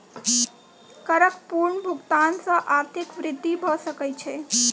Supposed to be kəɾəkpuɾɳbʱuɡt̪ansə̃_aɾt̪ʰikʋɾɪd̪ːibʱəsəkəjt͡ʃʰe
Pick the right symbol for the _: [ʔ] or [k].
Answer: ʔ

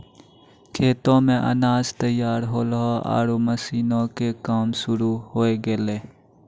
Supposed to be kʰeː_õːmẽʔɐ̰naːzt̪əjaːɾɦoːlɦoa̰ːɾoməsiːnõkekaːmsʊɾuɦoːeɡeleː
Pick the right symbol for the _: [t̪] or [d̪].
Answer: t̪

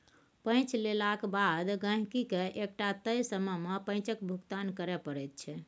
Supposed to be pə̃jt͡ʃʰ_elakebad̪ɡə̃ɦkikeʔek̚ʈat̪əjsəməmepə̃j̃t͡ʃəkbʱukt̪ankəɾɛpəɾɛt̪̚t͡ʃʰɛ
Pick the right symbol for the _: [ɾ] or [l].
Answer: l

